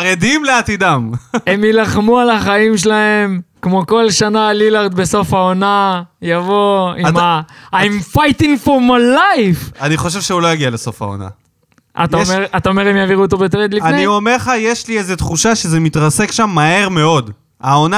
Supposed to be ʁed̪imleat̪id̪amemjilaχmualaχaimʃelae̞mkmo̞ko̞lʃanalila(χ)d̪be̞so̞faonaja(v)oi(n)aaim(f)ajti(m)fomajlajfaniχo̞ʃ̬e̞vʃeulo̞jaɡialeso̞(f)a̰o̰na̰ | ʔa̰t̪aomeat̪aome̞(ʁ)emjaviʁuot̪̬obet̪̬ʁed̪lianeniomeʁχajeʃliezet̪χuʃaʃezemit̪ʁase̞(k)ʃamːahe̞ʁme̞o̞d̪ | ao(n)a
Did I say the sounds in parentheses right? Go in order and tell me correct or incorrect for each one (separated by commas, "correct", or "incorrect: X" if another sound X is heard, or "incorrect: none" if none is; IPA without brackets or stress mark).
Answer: incorrect: ʁ, correct, incorrect: m, correct, incorrect: ŋ, correct, correct, correct, correct